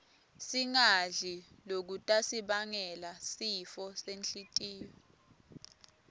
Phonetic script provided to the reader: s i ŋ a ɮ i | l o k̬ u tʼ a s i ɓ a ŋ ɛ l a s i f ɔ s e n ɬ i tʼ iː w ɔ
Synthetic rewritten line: s i ŋ a ɮ i | l o k̬ u tʼ a s i ɓ a ŋ ɛ l a s i f ɔ s e n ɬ i tʼ iː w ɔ